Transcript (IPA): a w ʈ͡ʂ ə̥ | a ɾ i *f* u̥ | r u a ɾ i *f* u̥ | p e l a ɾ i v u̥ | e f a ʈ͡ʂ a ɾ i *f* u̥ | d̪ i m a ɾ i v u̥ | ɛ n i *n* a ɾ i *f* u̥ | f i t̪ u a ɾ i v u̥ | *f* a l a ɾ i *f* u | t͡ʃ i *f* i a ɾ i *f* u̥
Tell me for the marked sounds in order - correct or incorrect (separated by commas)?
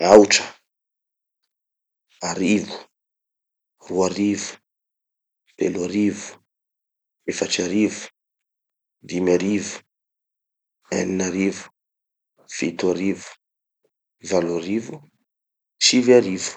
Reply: incorrect, incorrect, incorrect, correct, incorrect, incorrect, incorrect, incorrect, incorrect